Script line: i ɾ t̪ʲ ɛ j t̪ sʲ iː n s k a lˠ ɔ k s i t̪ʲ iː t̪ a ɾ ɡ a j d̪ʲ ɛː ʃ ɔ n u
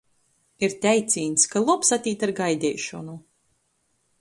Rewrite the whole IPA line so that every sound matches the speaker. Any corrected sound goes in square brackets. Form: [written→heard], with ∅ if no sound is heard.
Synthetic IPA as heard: i ɾ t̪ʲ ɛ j t̪ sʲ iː n s k a lˠ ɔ [k→p] s [i→a] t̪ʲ iː t̪ a ɾ ɡ a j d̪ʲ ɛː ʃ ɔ n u